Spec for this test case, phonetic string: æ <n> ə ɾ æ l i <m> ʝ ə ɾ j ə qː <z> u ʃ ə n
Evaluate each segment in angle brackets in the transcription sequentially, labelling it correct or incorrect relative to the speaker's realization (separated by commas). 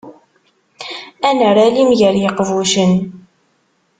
correct, correct, incorrect